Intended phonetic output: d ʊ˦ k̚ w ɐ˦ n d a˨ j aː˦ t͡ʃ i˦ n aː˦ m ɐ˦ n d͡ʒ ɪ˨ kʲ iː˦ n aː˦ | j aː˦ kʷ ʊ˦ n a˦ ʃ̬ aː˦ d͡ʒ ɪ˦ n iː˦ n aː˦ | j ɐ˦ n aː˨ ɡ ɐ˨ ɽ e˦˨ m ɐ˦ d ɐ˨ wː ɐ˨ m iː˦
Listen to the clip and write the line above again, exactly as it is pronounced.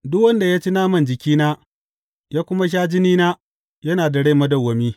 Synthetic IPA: d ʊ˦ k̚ w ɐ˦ n d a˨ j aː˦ t͡ʃ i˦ n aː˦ m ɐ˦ n d͡ʒ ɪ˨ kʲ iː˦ n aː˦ | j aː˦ kʷ ʊ˦ m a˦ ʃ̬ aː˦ d͡ʒ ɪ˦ n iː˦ n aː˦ | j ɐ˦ n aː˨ d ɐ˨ ɽ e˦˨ m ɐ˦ d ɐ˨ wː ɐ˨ m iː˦